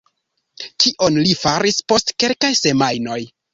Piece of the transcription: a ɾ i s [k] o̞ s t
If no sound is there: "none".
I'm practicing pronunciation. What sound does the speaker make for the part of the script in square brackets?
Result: p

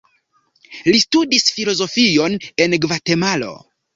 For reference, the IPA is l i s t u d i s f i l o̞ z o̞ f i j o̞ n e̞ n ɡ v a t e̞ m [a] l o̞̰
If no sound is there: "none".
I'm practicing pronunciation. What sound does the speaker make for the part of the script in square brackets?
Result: a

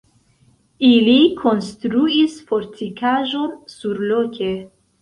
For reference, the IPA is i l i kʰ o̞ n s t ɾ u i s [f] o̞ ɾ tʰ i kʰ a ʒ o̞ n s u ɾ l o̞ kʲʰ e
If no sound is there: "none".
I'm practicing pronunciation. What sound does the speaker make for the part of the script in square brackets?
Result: f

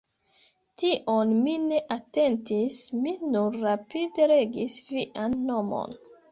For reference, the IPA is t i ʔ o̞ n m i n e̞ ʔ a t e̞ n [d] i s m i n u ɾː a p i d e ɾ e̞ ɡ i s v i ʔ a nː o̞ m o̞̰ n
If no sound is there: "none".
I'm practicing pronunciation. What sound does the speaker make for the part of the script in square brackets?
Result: t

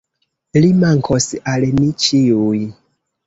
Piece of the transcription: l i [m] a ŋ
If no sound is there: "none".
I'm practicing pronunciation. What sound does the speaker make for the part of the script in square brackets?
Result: m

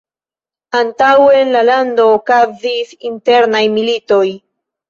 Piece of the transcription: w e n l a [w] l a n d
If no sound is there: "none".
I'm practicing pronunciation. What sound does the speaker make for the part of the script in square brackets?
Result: none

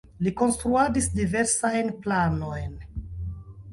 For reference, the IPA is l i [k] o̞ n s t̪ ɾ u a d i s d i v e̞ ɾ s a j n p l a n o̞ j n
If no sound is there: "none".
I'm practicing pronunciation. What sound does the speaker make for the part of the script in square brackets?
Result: k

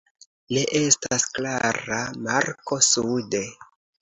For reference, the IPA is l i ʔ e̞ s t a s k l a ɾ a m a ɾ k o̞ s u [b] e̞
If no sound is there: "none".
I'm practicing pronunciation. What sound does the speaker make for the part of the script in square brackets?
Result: d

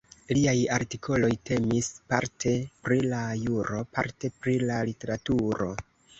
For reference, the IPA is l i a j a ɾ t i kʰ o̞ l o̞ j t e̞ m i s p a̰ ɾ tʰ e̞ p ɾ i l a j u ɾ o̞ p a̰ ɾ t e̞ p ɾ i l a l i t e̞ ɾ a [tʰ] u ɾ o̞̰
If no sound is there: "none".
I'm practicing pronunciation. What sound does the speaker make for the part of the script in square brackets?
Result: t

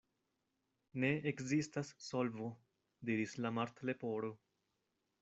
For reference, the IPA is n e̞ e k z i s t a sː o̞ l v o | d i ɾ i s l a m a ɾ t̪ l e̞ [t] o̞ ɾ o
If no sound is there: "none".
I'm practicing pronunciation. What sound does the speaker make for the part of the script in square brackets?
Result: p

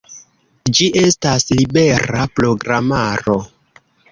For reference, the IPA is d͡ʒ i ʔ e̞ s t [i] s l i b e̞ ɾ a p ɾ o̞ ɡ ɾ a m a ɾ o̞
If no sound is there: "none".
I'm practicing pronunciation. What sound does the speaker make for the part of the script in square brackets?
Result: a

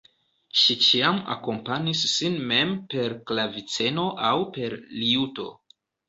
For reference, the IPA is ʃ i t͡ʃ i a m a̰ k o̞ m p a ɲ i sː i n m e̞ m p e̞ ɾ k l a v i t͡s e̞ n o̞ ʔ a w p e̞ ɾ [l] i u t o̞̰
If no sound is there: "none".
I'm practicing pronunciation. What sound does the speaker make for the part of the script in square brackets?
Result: l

